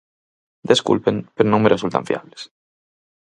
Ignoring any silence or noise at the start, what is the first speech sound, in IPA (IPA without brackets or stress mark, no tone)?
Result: d̪